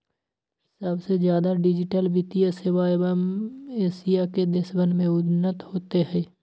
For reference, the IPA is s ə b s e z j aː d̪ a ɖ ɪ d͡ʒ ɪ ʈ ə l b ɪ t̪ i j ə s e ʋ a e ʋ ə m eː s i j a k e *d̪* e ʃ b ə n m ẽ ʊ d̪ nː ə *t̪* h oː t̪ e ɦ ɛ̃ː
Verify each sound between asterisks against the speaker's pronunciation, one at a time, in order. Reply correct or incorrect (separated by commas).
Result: correct, correct